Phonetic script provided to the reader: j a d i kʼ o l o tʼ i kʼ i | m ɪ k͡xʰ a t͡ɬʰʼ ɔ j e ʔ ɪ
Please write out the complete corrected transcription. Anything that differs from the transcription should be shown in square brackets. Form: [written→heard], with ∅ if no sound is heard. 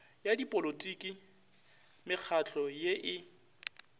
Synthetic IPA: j a d i [kʼ→pʼ] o l o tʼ i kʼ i | m ɪ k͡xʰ a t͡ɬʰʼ ɔ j e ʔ ɪ